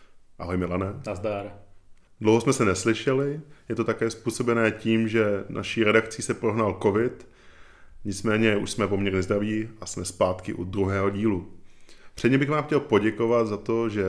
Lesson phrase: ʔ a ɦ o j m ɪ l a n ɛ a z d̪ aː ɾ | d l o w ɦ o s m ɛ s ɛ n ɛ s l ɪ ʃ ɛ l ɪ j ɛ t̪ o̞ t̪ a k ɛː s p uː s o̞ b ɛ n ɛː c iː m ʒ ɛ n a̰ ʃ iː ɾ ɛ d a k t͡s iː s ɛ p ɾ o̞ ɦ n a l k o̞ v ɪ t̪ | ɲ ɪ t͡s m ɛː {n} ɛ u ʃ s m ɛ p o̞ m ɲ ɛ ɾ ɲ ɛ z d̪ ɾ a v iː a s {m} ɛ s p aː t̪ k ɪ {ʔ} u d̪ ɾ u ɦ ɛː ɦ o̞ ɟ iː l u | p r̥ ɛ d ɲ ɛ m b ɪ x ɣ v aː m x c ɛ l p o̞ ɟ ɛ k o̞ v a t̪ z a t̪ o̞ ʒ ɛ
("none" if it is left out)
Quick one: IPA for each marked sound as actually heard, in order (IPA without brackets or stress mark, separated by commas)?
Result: ɲ, m, ʔ